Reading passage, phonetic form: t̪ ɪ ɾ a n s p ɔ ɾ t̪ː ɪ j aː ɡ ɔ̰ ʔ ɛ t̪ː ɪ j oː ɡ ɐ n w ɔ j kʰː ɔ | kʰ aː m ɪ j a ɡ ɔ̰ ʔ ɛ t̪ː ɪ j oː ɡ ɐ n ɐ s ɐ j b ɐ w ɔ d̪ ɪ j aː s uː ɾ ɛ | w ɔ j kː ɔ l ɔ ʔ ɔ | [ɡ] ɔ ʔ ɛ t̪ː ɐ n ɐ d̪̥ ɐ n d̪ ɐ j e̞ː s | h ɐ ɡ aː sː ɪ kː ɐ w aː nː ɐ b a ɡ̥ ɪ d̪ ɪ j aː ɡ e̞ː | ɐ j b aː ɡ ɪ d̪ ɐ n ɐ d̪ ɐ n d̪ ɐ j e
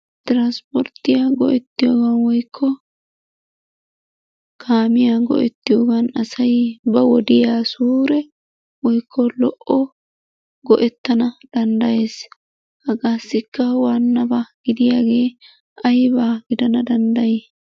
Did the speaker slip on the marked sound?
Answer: no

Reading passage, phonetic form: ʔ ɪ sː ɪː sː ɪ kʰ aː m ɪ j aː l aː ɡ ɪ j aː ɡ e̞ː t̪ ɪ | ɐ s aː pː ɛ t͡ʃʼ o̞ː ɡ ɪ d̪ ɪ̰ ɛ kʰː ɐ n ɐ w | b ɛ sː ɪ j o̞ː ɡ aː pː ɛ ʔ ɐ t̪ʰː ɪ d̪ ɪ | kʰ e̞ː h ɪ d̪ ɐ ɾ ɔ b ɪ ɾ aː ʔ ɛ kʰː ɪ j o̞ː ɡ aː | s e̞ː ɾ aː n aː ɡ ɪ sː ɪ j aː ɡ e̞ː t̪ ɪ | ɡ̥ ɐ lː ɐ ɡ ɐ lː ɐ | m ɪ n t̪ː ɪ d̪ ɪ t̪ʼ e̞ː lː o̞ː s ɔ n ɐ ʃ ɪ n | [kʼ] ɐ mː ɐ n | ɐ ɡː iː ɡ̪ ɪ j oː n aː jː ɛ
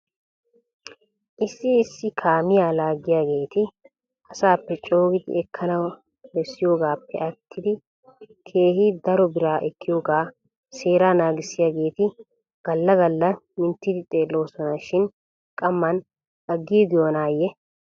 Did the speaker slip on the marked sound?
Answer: no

